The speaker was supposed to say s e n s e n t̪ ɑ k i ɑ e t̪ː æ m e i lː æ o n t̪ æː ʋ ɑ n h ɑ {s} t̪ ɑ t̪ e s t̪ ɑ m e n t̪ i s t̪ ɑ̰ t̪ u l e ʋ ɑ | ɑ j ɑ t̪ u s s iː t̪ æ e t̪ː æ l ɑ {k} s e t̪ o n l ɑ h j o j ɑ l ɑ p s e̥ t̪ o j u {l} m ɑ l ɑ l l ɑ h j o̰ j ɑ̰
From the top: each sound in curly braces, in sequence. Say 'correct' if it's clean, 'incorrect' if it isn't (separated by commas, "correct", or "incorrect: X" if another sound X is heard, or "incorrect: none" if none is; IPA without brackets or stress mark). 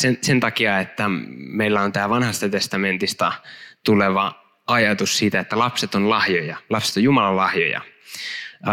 correct, incorrect: p, incorrect: none